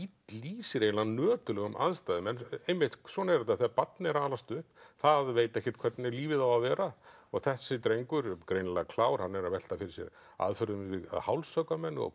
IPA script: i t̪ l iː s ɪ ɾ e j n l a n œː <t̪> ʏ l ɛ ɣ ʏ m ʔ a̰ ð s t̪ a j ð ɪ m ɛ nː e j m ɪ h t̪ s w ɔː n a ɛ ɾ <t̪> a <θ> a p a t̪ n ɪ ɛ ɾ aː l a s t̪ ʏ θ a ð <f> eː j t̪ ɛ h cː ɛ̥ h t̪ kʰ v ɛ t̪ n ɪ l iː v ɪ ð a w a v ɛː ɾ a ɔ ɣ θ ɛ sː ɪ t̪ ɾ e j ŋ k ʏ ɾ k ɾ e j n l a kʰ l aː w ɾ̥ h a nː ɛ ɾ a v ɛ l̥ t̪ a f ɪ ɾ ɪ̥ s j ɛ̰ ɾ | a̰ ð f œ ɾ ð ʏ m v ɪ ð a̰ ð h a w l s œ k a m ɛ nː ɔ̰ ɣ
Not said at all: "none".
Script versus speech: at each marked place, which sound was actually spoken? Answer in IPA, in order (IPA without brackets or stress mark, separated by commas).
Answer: t̪, t̪, θ, v